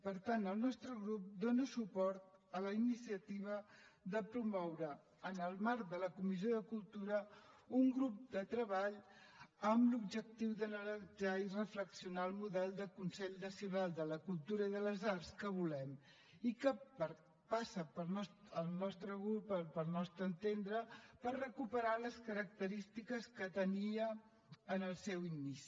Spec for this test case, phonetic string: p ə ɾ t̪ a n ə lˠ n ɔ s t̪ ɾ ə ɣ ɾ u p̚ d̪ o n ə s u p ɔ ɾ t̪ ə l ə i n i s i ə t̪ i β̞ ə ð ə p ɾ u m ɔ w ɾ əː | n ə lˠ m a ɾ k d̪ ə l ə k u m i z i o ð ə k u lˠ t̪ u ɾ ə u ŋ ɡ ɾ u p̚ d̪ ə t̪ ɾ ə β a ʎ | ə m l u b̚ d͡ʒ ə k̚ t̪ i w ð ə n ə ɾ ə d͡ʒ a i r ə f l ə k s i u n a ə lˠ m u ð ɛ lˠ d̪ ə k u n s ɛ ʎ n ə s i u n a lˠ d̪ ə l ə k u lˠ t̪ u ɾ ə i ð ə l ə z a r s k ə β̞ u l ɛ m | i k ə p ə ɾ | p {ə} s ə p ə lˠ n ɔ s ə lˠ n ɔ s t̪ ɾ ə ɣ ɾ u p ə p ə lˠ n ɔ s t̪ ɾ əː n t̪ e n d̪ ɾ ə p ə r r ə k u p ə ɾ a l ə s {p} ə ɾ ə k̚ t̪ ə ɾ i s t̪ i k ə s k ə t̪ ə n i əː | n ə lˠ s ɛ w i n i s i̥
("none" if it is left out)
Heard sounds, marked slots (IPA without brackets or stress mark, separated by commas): a, k